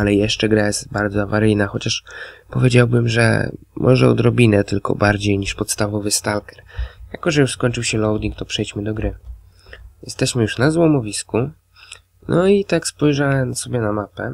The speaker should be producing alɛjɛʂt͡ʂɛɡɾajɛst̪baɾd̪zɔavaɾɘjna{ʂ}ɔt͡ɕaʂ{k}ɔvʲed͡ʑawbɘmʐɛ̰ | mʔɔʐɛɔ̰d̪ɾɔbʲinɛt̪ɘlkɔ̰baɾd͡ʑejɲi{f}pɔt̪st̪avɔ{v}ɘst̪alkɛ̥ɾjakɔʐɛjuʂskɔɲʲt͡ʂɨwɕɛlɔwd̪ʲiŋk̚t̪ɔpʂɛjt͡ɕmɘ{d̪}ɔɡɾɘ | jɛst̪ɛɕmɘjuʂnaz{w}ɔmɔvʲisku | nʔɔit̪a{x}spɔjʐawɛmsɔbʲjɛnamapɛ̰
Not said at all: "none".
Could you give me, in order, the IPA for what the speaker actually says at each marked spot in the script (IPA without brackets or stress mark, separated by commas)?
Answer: x, p, ʂ, v, d̪, w, k